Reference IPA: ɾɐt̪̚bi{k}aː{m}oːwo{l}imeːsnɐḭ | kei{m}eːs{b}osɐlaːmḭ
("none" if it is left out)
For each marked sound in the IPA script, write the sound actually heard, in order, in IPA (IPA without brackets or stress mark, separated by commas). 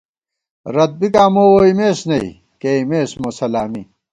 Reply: k, m, none, m, m